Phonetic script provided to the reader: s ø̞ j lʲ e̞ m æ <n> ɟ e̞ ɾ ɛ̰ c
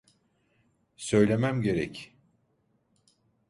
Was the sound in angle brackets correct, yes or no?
no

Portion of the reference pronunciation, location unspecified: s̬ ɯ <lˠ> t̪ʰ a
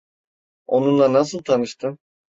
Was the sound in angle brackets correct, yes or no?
yes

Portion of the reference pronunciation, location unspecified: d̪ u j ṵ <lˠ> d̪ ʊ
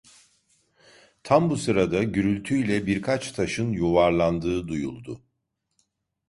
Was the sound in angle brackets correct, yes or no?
yes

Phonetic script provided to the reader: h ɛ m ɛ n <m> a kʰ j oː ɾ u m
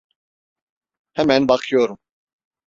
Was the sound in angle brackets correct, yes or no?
no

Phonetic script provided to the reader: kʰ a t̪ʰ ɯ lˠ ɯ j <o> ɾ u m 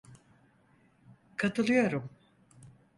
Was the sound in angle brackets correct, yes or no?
yes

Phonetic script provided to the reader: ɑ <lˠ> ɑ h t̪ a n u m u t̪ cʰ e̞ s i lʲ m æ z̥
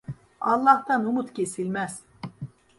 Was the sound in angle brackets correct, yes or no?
no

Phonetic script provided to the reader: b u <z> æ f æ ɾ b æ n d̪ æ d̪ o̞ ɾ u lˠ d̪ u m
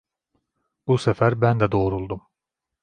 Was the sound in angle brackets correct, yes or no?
no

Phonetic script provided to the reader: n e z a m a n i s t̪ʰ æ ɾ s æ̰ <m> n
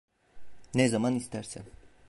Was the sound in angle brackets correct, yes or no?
no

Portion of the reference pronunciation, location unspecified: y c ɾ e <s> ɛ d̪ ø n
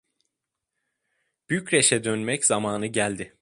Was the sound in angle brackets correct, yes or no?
no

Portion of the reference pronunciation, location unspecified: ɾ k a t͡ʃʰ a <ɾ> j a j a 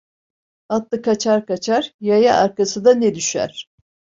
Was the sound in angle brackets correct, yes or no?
yes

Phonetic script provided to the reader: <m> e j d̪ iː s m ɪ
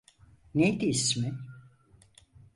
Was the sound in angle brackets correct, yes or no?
no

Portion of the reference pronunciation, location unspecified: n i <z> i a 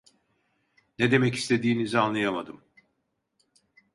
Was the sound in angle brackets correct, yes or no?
yes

